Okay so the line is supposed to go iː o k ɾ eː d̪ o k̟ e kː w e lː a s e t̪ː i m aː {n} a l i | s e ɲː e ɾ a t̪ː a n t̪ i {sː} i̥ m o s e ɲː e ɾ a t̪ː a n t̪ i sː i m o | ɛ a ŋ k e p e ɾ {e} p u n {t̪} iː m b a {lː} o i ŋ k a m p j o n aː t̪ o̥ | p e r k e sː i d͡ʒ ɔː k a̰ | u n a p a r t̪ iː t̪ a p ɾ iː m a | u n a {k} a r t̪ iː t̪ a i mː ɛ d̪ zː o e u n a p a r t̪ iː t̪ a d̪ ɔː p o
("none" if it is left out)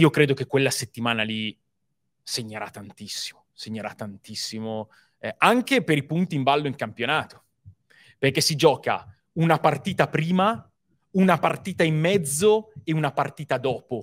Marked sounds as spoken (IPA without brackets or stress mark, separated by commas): n, sː, i, t̪, lː, p